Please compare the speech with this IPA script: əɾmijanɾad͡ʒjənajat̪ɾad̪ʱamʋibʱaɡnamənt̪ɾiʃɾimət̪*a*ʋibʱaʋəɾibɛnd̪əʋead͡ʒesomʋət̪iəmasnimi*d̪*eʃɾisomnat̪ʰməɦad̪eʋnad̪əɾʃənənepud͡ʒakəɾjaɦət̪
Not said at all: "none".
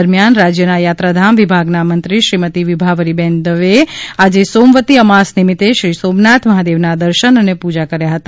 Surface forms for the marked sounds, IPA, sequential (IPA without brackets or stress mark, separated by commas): i, t̪